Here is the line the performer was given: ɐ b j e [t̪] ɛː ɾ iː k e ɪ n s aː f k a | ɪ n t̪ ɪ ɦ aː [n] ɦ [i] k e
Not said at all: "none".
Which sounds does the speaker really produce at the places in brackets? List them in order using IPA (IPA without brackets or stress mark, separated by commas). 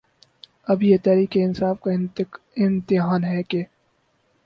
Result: t̪, n, ɛ